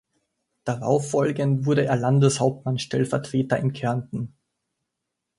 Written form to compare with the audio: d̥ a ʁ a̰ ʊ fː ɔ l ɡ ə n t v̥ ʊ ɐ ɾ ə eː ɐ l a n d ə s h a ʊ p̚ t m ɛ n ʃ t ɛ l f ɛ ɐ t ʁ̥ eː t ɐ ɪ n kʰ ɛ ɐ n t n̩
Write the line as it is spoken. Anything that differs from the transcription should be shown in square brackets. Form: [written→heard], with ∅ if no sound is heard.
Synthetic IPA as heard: d̥ a ʁ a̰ ʊ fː ɔ l ɡ ə n t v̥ ʊ ɐ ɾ ə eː ɐ l a n d ə s h a ʊ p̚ t m [ɛ→a] n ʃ t ɛ l f ɛ ɐ t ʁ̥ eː t ɐ ɪ n kʰ ɛ ɐ n t n̩